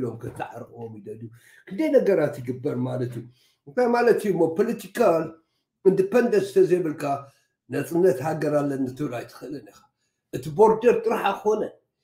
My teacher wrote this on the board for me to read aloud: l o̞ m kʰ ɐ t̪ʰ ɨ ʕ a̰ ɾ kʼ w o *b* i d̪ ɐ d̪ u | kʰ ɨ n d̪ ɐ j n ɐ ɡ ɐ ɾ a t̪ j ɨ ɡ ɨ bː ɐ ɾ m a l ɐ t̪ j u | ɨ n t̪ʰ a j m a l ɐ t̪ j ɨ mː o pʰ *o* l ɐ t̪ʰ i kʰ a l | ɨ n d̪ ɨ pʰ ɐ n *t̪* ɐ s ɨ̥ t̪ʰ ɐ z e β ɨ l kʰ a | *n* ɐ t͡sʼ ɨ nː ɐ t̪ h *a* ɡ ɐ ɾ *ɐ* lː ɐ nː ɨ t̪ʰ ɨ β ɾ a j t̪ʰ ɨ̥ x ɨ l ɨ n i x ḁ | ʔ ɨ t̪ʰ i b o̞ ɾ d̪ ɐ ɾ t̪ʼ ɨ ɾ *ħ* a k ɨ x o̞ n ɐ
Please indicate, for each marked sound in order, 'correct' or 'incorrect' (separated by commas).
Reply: incorrect, correct, incorrect, correct, correct, incorrect, correct